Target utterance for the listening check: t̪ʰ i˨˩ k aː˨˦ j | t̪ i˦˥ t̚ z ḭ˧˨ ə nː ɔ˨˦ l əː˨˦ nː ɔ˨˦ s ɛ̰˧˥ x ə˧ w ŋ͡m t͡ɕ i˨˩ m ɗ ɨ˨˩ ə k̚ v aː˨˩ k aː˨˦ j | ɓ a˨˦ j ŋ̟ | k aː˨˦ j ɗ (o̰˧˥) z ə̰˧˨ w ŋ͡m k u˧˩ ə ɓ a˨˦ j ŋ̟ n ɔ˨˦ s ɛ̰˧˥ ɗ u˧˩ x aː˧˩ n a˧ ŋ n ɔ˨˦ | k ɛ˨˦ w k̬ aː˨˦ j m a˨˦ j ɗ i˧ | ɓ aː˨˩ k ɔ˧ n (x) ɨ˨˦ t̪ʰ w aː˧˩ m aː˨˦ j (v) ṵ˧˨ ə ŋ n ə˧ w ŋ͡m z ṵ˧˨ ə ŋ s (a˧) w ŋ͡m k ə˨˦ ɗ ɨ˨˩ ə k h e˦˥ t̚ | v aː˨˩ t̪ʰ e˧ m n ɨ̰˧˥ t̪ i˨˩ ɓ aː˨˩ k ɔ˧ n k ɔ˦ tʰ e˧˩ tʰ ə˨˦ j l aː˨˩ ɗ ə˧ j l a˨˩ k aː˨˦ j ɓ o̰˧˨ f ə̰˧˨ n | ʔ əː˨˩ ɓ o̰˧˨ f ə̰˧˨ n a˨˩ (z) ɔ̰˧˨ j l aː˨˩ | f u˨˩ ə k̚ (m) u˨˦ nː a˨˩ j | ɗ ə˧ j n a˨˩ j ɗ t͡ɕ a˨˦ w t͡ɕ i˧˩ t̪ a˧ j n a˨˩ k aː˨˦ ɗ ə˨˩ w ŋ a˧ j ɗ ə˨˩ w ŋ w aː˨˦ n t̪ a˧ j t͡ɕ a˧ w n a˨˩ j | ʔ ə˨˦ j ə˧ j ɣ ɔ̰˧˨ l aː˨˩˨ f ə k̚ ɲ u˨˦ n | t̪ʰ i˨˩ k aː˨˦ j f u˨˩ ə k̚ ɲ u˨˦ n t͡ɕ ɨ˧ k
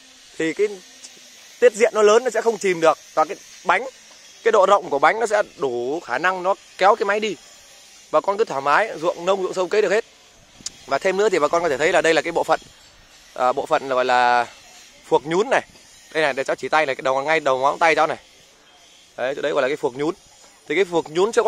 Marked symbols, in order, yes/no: no, no, no, no, no, no

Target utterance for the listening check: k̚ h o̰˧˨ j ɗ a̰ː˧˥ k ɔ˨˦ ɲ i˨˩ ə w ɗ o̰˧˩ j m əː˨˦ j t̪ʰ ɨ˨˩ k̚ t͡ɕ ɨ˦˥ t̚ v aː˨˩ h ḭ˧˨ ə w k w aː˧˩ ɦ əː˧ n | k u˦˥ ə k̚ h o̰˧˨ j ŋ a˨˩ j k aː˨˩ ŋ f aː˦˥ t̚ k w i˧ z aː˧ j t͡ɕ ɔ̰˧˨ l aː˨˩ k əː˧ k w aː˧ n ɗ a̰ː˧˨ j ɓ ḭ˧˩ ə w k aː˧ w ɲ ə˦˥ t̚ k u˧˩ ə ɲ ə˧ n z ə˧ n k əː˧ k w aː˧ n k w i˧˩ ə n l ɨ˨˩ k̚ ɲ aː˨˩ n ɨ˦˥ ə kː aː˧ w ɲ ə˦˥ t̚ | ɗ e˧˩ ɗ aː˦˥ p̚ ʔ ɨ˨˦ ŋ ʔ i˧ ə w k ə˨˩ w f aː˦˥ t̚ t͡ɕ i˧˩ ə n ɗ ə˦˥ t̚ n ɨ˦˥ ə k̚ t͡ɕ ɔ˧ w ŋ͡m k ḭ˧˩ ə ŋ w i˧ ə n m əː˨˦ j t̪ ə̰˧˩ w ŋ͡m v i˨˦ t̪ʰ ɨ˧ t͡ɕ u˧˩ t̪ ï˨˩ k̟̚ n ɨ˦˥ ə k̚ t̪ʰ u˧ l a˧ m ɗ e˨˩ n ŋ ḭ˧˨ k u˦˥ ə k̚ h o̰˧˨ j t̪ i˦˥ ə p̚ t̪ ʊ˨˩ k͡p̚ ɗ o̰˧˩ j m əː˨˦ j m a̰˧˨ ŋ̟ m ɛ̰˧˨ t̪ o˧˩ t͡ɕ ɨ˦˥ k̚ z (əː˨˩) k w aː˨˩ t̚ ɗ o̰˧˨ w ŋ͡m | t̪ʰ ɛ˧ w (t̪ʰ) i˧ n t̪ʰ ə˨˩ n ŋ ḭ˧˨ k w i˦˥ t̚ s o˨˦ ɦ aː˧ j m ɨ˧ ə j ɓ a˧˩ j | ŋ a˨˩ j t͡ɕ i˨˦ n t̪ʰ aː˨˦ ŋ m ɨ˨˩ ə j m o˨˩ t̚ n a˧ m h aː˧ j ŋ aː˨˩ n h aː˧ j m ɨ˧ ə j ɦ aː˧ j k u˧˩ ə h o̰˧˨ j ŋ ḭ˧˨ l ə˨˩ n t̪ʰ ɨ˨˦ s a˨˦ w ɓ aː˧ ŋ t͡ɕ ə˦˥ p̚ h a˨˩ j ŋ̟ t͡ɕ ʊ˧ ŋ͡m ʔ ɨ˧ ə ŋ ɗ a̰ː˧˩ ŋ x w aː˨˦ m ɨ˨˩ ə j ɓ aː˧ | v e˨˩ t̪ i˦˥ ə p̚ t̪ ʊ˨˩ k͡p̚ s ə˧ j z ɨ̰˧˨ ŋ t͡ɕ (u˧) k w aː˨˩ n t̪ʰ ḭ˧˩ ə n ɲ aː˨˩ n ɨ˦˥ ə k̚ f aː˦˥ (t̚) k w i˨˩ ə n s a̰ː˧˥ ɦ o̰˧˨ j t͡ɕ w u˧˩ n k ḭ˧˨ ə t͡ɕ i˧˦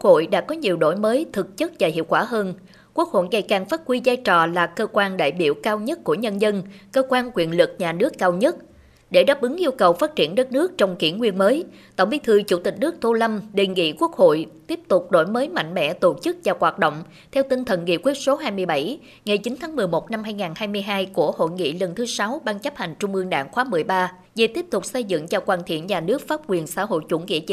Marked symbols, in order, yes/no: no, no, no, no

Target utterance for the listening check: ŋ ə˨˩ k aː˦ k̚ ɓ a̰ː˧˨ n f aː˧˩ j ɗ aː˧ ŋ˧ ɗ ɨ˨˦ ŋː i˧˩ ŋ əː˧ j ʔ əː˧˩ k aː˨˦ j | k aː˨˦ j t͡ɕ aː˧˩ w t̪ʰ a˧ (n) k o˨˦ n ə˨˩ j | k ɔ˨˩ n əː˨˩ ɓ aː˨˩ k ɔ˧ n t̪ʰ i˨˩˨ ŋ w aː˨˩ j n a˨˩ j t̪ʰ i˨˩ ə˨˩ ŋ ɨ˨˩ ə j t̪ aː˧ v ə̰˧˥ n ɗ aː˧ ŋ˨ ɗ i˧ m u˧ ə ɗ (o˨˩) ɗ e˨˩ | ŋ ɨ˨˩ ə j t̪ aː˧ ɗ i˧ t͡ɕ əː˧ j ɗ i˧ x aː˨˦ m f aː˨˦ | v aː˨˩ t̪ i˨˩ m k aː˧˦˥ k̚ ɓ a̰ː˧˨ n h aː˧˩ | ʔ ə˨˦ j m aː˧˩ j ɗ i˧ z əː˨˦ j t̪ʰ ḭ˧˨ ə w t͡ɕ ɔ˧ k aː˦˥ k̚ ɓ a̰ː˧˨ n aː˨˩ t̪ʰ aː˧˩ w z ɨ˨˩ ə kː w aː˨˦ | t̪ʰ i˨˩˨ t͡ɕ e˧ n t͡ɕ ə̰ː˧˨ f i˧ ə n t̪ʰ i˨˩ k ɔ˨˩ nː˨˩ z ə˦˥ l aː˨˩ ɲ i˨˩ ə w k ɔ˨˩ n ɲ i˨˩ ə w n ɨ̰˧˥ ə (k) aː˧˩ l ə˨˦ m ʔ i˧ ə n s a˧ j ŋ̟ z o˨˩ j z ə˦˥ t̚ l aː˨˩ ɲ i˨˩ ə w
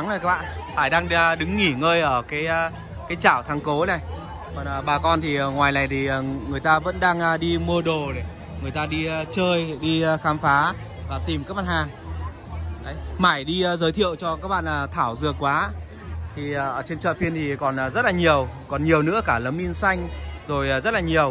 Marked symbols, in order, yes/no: no, yes, yes

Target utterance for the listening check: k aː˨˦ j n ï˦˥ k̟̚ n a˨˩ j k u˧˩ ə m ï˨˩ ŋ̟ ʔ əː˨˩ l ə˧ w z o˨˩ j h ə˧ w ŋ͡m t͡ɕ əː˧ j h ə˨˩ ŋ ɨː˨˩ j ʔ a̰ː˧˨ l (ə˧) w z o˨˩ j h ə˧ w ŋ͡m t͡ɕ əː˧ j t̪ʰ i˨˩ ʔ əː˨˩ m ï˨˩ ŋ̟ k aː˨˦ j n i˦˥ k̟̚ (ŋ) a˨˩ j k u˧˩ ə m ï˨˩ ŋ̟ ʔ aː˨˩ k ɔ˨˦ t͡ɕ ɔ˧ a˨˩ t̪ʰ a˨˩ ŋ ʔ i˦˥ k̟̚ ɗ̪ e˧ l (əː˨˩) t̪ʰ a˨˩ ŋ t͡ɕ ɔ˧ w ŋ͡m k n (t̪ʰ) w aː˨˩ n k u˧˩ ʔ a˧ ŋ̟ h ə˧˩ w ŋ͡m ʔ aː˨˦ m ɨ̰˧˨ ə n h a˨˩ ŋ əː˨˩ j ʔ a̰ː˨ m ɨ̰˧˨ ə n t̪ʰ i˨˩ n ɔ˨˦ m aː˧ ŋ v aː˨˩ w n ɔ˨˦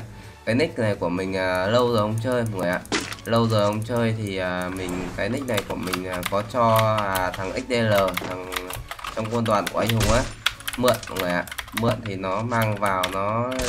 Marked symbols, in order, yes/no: yes, no, yes, no

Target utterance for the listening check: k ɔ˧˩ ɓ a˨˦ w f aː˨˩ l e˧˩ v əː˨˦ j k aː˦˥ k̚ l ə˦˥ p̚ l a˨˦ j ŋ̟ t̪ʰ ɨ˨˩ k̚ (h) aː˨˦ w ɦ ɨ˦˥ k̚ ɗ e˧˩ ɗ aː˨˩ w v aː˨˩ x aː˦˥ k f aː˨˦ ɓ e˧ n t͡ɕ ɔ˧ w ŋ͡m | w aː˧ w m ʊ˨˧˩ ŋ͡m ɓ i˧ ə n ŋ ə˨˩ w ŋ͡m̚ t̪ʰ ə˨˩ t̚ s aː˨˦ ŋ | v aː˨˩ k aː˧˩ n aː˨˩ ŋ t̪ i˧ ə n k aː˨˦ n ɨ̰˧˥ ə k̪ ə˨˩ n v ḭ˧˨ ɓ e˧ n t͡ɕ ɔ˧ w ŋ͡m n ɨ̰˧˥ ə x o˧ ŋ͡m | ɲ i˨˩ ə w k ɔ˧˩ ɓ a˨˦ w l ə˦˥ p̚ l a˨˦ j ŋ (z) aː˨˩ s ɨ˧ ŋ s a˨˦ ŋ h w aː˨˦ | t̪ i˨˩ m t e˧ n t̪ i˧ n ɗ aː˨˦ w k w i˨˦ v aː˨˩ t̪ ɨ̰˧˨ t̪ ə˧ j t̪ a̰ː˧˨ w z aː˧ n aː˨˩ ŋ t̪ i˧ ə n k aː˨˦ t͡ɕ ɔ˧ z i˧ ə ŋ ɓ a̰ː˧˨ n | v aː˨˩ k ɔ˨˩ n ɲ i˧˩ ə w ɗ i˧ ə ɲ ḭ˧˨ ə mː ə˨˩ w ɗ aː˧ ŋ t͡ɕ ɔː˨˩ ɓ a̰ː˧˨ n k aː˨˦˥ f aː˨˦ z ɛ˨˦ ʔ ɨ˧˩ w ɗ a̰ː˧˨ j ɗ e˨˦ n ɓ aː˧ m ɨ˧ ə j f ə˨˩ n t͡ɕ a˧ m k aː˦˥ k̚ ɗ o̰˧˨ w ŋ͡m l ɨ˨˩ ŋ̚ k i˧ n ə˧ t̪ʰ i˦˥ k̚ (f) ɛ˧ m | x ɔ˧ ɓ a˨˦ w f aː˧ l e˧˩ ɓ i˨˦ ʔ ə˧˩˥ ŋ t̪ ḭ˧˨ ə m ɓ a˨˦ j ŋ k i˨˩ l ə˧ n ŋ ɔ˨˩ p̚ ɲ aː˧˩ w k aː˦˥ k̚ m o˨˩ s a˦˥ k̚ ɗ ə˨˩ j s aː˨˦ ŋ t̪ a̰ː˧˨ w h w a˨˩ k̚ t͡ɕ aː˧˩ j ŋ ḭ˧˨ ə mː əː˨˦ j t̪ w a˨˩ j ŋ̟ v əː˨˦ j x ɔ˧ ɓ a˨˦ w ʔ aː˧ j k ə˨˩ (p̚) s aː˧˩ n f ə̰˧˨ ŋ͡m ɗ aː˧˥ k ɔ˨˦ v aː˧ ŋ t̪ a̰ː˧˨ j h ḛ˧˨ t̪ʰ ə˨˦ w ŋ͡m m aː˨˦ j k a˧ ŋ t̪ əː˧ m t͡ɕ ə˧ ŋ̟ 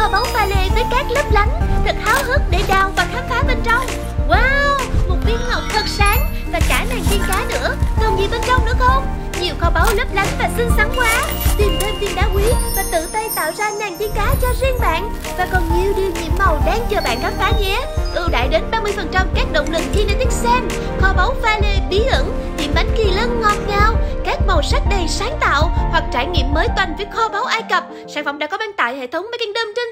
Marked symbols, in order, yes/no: yes, no, no, yes

